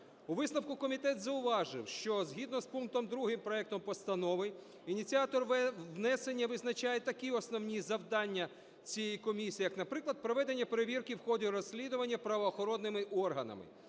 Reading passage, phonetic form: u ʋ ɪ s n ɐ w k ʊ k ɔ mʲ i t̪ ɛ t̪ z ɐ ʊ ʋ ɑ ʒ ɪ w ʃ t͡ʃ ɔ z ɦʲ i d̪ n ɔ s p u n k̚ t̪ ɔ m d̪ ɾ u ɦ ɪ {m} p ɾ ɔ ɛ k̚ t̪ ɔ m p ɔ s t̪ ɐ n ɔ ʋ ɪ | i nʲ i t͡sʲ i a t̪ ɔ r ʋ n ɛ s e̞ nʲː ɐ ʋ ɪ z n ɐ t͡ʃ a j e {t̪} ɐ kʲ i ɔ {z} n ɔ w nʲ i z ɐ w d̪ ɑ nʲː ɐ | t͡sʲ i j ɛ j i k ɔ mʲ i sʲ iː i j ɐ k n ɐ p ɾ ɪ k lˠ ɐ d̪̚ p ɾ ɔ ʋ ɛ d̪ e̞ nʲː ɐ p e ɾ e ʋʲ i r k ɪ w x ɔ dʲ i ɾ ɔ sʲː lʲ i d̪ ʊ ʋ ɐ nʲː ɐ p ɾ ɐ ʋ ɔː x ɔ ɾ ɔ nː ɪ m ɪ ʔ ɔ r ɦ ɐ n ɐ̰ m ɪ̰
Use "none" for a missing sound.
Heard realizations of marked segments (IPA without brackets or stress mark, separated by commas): m, t̪, s